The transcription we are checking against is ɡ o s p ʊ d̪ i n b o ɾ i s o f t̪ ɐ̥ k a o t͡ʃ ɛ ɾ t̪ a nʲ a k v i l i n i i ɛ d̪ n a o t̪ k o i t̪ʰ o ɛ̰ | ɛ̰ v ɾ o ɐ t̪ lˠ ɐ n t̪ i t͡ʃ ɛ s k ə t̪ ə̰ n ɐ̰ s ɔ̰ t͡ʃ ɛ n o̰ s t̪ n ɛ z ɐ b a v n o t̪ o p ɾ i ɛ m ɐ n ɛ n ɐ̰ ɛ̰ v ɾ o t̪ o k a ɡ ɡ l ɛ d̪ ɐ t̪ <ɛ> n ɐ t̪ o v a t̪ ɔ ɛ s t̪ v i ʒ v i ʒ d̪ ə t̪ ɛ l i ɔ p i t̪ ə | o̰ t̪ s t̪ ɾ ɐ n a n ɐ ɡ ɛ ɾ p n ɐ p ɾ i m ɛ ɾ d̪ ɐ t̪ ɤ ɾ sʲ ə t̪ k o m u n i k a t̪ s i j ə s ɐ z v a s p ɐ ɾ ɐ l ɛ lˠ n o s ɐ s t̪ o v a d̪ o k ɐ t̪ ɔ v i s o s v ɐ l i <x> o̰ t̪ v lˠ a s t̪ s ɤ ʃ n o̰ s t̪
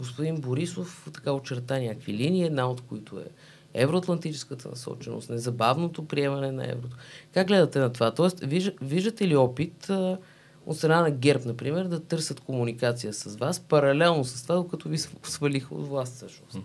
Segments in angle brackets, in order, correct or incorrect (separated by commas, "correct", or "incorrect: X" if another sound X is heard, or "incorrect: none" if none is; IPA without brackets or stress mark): correct, correct